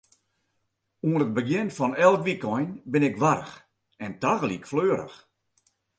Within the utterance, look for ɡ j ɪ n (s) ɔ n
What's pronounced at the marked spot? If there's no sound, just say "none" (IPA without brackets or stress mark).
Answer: f